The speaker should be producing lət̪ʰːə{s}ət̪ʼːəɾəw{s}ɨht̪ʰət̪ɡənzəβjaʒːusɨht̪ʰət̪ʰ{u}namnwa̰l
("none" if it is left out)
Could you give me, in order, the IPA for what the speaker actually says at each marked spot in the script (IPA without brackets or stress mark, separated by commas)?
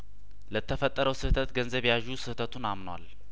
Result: f, s, u